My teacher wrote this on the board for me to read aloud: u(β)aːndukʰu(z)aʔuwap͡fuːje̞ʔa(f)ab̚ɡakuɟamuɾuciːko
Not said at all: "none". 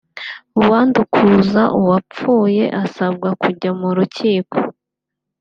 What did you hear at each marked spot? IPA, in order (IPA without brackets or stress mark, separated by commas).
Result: w, z, s